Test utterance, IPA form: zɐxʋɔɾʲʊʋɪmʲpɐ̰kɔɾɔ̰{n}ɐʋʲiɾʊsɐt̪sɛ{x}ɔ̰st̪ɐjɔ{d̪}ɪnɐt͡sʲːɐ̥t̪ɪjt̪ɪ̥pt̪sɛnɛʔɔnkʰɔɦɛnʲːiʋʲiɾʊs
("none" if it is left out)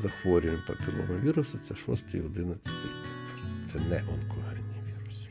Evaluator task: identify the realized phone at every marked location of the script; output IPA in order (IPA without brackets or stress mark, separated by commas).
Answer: n, ʃ, d̪